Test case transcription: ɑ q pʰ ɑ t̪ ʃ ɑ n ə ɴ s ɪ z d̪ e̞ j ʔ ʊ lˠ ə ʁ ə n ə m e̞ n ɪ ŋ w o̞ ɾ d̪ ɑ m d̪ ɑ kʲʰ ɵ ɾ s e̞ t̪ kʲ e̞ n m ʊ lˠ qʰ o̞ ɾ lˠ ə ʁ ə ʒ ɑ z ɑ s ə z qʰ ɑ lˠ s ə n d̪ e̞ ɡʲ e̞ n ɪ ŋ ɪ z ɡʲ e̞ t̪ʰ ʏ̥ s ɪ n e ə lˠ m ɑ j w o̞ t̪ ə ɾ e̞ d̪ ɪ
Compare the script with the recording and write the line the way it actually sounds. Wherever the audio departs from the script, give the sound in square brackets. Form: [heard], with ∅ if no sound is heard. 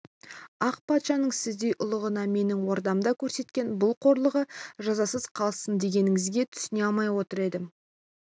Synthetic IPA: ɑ q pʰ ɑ t̪ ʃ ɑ n ə ɴ s ɪ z d̪ e̞ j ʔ ʊ lˠ ə ʁ ə n [ɑ] m e̞ n ɪ ŋ w o̞ ɾ d̪ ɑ m d̪ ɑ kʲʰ ɵ ɾ s e̞ t̪ kʲ e̞ n [b] ʊ lˠ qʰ o̞ ɾ lˠ ə ʁ ə ʒ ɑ z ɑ s ə z qʰ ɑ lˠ s ə n d̪ e̞ ɡʲ e̞ n ɪ ŋ ɪ z ɡʲ e̞ t̪ʰ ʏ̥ s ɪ n e [ɑ] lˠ m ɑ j w o̞ t̪ ə ɾ e̞ d̪ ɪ